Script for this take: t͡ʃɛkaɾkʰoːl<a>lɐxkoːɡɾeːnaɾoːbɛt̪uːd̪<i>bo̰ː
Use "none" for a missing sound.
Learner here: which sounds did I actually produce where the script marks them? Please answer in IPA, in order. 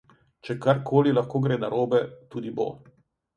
i, i

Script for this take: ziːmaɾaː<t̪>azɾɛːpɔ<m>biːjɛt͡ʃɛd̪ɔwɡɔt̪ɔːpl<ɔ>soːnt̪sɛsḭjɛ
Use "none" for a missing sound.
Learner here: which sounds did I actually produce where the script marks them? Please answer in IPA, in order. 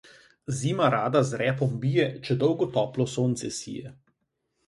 d̪, m, ɔ

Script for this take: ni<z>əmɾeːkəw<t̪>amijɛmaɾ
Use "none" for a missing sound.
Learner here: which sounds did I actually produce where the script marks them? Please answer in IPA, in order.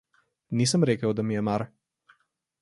s, d̪

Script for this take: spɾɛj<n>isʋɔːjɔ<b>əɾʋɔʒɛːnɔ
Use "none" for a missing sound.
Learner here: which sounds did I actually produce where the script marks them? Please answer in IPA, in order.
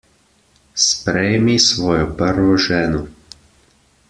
m, p

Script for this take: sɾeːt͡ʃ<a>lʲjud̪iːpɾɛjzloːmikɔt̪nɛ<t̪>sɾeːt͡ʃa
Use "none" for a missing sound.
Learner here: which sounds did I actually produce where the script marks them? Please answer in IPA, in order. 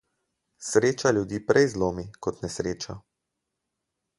a, none

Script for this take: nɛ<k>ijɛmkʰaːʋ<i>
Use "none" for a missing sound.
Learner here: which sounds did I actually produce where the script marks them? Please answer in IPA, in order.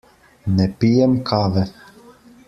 p, ɛ

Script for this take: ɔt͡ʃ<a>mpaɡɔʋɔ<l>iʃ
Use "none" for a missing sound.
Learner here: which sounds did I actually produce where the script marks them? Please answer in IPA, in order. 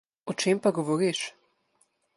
e, ɾ

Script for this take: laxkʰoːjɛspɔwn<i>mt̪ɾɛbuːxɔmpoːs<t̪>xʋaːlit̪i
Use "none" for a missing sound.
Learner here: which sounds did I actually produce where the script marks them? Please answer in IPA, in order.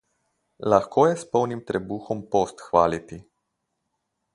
i, t̪

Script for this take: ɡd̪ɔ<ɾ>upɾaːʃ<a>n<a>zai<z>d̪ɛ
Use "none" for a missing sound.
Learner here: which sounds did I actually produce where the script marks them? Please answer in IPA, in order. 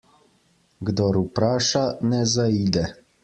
ɾ, a, ɛ, none

